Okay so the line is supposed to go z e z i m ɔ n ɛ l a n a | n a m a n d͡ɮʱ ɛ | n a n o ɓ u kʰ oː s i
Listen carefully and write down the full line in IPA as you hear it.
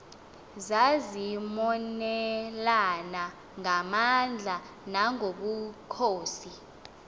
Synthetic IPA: z a z i m ɔ n ɛ l a n a | ŋ a m a n d͡ɮʱ a | n a ŋ o ɓ u kʰ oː s i

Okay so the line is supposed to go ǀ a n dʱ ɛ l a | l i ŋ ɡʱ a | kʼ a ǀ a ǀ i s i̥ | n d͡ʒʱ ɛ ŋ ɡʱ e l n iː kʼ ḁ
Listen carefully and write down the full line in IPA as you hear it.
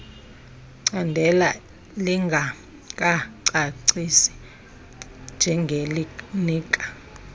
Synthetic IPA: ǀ a n dʱ ɛ l a | l i ŋ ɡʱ a | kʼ a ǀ a ǀ i s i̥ | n d͡ʒʱ ɛ ŋ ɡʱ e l n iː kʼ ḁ

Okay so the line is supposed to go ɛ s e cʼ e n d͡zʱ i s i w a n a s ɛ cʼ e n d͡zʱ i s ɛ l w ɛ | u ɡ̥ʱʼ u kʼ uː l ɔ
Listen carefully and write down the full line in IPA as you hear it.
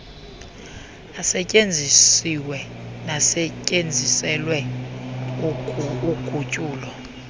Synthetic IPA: a s ɛ cʼ e n d͡zʱ i s i w ɛ n a s ɛ cʼ e n d͡zʱ i s ɛ l w ɛ | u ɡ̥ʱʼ u cʼ uː l ɔ

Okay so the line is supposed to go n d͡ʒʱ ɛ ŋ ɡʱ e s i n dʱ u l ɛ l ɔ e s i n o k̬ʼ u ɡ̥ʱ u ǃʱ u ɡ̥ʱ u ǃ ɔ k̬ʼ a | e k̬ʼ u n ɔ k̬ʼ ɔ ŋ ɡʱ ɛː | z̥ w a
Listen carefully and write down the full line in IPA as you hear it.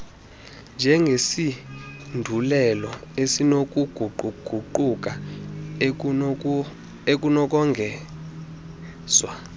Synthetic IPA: n d͡ʒʱ ɛ ŋ ɡʱ e s i n dʱ u l ɛ l ɔ e s i n o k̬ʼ u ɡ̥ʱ u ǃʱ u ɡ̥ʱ u ǃ u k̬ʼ a | e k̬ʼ u n ɔ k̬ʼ ɔ ŋ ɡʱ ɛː | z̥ w a

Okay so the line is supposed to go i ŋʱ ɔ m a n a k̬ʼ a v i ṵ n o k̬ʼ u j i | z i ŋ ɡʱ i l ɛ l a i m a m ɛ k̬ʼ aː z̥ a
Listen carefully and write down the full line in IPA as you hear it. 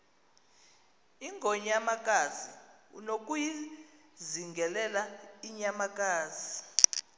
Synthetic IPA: i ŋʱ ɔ ɲ a m a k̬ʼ a z i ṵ n o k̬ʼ u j i | z i ŋ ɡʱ ɛ l ɛ l a i ɲ a m a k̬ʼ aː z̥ i

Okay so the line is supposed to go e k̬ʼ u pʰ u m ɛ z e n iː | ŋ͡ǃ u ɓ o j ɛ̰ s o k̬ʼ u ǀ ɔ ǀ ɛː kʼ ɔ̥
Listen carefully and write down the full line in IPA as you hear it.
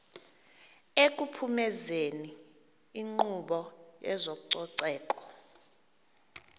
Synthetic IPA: e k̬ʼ u pʰ u m ɛ z e n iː | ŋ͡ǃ u ɓ ɔ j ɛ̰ z o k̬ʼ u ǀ ɔ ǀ ɛː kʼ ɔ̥

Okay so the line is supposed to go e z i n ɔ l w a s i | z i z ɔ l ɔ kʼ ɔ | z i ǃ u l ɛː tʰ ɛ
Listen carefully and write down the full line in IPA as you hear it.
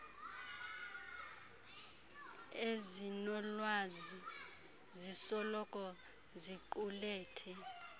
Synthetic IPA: e z i n ɔ l w a z i | z i s ɔ l ɔ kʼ ɔ | z i ǃ u l ɛː tʰ ɛ

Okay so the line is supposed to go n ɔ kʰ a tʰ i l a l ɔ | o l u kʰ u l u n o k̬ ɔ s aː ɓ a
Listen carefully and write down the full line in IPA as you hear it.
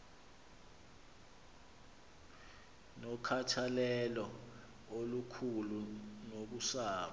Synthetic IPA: n ɔ kʰ a tʰ a l ɛ l ɔ | o l u kʰ u l u n o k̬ u s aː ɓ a

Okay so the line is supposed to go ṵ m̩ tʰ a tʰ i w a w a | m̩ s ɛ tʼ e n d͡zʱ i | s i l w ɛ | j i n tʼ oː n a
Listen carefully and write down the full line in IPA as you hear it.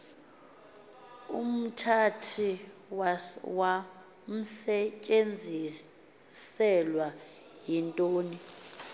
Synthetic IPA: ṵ m̩ tʰ a tʰ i w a w a | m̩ s ɛ cʼ e n d͡zʱ i | s ɛ l w a | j i n tʼ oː n i

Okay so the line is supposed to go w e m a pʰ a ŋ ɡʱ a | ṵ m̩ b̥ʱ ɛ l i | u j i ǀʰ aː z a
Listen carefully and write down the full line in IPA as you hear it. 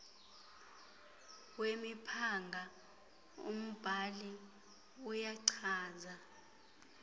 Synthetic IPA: w e m i pʰ a ŋ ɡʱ a | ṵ m̩ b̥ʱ a l i | u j a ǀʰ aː z a

